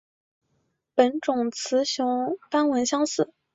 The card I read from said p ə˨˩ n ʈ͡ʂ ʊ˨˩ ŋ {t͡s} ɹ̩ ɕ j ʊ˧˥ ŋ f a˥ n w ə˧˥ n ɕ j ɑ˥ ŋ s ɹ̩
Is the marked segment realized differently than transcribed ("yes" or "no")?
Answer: yes